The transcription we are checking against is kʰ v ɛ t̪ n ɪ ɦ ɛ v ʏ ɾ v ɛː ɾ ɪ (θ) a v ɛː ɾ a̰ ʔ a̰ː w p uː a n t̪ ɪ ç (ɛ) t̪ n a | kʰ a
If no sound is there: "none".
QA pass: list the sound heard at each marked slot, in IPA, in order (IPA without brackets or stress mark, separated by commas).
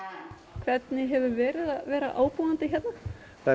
ð, ɛ